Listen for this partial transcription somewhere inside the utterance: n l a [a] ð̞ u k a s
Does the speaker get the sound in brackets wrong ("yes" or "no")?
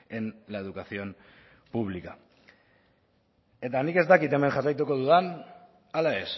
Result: yes